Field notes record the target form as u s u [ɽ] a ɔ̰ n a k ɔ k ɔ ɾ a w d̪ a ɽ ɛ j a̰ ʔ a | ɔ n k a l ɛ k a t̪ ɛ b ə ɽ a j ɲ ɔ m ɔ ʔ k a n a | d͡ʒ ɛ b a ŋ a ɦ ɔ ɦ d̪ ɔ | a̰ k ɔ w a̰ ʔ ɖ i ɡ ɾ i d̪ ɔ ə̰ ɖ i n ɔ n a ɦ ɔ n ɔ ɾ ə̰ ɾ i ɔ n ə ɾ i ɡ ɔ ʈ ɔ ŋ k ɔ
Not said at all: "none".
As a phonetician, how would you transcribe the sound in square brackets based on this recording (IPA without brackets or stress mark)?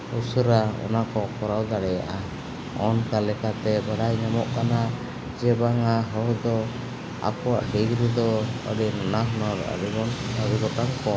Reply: ɾ